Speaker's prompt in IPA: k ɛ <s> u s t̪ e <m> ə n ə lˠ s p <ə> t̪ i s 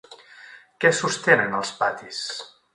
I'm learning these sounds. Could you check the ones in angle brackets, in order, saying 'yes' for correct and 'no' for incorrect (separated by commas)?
yes, no, no